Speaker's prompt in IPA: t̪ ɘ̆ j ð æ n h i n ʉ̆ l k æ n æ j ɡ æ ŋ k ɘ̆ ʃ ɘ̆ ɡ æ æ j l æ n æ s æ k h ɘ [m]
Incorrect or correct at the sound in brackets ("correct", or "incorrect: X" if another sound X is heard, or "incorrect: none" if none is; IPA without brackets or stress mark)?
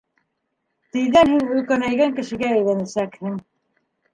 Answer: incorrect: ŋ